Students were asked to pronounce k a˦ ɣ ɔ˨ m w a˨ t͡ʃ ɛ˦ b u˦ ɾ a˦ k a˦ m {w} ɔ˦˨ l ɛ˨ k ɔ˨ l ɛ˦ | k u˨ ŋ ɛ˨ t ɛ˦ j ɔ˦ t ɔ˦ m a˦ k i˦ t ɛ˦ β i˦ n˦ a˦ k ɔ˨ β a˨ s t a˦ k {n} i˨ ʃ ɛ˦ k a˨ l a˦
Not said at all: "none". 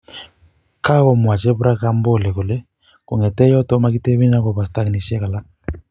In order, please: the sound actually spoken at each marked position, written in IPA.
b, n

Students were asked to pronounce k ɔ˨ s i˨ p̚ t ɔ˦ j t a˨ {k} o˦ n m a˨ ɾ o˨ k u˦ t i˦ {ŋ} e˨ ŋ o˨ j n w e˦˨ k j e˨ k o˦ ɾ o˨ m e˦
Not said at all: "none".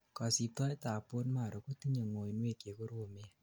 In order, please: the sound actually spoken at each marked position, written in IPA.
p, ɲ

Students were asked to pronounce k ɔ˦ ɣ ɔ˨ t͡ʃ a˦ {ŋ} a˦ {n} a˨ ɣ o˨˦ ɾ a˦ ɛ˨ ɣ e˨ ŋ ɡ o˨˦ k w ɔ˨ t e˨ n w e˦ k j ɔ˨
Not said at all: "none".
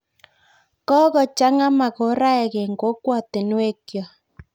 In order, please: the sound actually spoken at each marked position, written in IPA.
ŋ, m

